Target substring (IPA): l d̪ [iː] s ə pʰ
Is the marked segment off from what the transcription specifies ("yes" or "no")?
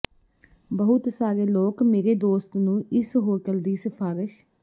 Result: no